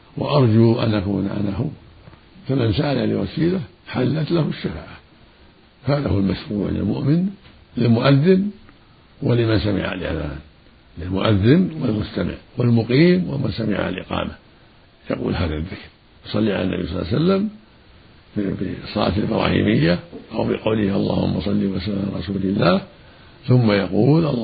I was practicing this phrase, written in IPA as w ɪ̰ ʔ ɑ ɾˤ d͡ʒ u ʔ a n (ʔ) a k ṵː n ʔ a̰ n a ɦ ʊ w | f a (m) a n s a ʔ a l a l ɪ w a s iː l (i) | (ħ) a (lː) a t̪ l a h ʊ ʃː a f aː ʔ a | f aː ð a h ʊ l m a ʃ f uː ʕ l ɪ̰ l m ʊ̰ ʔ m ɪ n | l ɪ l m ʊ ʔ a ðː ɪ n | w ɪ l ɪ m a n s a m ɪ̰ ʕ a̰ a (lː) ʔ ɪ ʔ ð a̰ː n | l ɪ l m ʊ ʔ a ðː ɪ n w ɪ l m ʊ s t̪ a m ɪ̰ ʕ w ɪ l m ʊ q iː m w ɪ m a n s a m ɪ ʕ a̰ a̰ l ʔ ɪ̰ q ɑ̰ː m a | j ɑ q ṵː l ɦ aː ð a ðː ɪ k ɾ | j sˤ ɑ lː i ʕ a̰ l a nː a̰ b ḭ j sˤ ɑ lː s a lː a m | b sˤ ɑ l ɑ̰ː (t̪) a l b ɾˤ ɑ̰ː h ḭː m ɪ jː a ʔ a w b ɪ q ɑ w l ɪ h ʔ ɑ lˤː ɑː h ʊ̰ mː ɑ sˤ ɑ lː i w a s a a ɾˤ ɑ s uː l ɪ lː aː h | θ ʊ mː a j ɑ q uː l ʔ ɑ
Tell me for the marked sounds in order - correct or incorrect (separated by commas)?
correct, correct, incorrect, correct, correct, incorrect, correct